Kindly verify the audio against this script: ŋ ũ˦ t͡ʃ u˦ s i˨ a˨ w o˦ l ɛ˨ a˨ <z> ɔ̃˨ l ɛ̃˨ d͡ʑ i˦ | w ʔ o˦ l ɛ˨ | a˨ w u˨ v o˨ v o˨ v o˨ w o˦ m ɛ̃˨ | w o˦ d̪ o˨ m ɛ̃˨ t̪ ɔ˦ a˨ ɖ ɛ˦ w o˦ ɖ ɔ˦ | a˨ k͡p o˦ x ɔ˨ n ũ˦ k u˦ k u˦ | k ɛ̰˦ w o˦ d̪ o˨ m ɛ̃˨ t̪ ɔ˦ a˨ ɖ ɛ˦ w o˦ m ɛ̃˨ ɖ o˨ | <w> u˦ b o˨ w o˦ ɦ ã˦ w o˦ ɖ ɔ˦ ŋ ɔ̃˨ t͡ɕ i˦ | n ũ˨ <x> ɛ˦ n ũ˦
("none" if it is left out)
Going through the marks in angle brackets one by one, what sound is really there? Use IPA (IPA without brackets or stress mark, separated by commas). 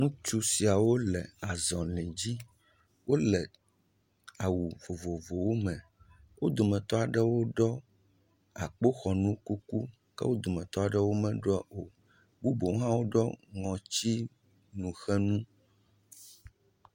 z, b, x